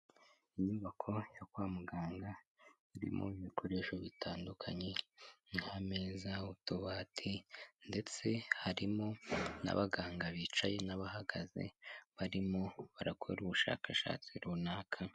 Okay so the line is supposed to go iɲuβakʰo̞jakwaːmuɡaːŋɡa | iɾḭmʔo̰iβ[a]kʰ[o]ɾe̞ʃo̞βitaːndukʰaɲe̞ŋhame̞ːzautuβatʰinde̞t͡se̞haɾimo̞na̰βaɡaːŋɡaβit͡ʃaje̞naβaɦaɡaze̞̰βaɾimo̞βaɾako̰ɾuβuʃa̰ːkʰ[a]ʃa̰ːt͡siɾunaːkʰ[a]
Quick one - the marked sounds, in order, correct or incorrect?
incorrect: i, correct, correct, correct

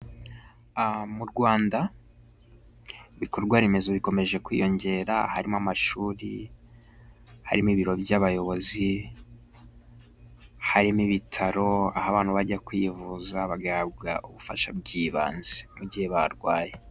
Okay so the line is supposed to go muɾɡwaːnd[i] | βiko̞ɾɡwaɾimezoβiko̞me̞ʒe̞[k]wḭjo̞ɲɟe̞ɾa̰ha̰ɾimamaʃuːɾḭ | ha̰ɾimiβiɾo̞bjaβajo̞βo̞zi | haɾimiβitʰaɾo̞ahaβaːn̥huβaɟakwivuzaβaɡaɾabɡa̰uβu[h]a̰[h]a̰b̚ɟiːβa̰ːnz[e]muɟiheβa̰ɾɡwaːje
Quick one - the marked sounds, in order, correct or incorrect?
incorrect: a, correct, incorrect: f, incorrect: ʃ, correct

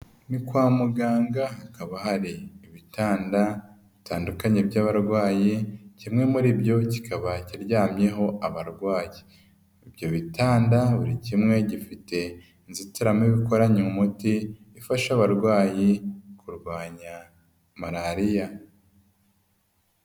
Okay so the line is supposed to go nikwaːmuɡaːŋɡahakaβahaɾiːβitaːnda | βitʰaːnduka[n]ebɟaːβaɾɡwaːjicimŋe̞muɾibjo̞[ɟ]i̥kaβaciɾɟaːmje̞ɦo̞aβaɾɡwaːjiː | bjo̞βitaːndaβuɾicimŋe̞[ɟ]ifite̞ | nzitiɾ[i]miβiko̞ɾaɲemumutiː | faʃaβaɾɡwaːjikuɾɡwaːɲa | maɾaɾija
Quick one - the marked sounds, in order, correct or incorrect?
incorrect: ɲ, incorrect: c, correct, incorrect: a

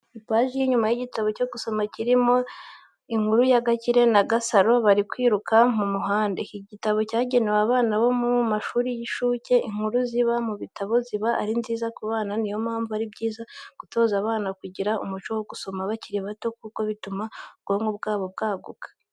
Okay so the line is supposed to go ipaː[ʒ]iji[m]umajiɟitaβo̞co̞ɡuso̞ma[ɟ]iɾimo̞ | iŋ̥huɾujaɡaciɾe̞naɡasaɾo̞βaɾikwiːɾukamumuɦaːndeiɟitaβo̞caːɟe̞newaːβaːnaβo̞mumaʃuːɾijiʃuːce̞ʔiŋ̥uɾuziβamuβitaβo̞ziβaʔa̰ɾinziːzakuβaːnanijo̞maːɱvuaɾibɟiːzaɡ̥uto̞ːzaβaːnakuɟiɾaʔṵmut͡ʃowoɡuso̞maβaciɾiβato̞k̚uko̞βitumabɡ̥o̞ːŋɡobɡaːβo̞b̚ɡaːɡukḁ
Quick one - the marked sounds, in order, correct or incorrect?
correct, incorrect: ɲ, incorrect: c

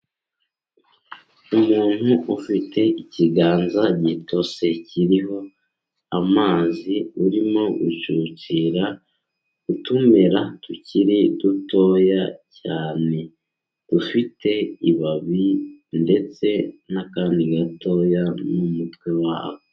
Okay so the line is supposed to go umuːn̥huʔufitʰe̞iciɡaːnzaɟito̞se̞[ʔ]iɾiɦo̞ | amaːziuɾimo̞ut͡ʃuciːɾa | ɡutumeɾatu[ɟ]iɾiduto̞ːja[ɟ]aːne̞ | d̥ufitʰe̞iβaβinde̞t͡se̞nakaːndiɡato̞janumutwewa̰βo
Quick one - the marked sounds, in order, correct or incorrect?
incorrect: c, incorrect: c, incorrect: c

